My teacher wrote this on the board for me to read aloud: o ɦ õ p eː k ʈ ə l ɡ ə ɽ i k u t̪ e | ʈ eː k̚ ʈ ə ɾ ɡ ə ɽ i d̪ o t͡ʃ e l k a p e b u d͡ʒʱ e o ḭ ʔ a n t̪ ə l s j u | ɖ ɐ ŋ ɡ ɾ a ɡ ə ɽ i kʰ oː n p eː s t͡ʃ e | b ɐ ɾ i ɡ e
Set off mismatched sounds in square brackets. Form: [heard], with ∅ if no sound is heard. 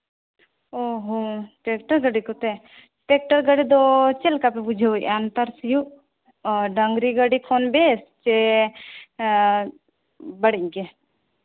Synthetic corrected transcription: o ɦ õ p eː k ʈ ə [ɾ] ɡ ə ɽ i k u t̪ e | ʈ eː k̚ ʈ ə ɾ ɡ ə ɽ i d̪ o t͡ʃ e l k a p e b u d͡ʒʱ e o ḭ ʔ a n t̪ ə [ɾ] s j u | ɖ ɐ ŋ ɡ ɾ [i] ɡ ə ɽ i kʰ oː n [b] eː s t͡ʃ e | b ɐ [ɽ] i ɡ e